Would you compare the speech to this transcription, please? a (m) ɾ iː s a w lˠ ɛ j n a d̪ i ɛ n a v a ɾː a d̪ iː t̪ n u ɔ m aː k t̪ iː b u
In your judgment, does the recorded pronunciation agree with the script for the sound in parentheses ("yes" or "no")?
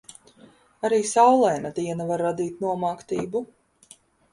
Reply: no